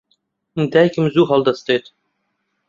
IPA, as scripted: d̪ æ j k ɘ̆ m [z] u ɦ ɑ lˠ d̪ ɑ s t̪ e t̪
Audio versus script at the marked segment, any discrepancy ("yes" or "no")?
no